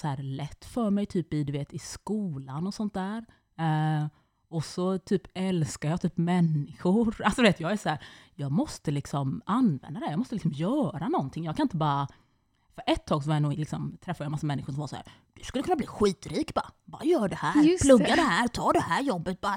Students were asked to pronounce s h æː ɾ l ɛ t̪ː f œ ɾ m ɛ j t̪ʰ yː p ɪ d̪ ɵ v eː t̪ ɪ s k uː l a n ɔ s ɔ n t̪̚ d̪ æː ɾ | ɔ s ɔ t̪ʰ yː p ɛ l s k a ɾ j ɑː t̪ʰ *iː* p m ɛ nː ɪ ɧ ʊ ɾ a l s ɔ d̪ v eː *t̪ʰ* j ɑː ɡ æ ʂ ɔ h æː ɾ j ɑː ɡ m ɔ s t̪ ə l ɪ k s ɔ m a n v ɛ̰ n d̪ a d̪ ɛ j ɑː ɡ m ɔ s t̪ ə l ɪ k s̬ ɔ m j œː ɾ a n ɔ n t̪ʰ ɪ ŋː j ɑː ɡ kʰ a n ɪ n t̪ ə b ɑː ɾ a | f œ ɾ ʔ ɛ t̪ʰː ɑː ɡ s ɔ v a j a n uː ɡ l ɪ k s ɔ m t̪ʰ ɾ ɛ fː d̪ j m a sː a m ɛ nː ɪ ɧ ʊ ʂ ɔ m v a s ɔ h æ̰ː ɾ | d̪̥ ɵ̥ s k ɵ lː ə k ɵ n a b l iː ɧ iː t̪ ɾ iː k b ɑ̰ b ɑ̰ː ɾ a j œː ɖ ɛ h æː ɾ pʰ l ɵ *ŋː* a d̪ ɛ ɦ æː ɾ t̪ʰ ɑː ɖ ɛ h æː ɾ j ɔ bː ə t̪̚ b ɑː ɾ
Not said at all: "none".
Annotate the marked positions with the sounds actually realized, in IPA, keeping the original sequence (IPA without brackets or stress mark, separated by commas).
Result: yː, t̪, ɡː